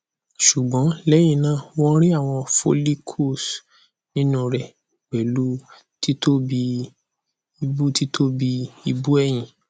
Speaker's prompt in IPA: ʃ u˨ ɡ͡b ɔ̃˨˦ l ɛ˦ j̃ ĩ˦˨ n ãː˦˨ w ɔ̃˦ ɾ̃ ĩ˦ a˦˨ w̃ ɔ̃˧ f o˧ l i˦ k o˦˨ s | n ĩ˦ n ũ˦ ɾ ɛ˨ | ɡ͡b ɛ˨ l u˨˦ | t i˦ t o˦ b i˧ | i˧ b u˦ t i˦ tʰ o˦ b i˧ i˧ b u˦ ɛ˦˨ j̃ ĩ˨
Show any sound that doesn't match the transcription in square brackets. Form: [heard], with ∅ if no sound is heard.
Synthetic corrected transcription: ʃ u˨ ɡ͡b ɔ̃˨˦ l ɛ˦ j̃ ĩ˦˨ n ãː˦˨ w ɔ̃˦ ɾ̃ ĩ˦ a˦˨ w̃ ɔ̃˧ f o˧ l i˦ [kʰ] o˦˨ s | n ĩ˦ n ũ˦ ɾ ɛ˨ | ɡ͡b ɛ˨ l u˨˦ | t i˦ t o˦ b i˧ | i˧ b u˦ t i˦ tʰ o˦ b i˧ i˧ b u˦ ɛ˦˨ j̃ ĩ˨